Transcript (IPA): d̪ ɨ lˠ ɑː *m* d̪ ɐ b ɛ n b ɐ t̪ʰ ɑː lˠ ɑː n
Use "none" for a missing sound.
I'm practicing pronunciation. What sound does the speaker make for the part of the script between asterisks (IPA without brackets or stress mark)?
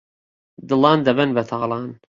n